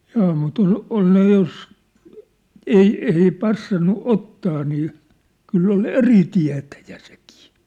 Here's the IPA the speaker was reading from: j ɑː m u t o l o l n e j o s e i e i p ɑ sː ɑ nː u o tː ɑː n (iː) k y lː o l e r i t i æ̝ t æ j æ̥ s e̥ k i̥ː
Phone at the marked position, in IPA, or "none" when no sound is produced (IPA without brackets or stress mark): iː